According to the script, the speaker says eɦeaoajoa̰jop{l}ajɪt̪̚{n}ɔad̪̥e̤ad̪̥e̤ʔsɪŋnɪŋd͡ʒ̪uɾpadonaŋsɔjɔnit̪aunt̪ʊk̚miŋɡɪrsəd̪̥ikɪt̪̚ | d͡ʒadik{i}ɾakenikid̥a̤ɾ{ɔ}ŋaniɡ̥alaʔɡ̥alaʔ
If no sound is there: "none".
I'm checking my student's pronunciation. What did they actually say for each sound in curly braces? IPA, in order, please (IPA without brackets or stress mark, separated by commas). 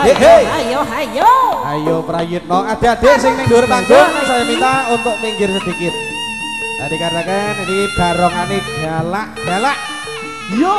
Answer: ɾ, n, a, ɔ